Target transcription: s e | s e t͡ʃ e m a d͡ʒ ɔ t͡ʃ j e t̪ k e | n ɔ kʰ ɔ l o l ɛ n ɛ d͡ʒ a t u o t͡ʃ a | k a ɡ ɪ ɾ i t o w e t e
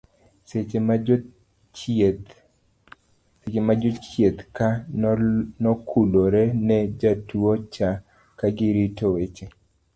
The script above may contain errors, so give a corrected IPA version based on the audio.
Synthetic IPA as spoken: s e | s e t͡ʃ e m a d͡ʒ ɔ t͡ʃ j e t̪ k a | n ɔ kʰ u l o ɾ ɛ n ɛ d͡ʒ a t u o t͡ʃ a | k a ɡ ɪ ɾ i t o w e t͡ʃ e

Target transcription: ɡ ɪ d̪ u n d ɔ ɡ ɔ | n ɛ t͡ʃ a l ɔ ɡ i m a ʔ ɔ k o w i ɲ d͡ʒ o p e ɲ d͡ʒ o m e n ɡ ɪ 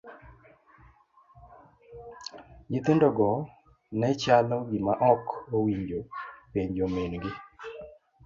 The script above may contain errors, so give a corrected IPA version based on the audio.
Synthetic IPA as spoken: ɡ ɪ t̪ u n d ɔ ɡ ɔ | n ɛ t͡ʃ a l ɔ ɡ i m a ʔ ɔ k o w i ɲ d͡ʒ o p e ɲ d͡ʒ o m e n ɡ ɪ

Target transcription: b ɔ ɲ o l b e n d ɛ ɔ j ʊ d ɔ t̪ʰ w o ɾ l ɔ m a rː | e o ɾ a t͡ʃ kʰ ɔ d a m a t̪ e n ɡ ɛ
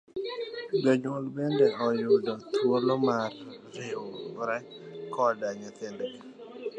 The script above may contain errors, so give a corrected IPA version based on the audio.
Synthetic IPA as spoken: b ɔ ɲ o l b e n d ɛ ɔ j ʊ d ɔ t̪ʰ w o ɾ l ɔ m a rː | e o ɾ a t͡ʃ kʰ ɔ d a ɲ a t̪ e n d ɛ

